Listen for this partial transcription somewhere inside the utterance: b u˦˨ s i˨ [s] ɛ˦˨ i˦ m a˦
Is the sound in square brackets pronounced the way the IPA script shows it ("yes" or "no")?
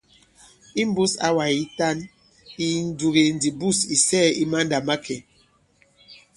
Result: yes